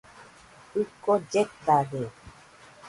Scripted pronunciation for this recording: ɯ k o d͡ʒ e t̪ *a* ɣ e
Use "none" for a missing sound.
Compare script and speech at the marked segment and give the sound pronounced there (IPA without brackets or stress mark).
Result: a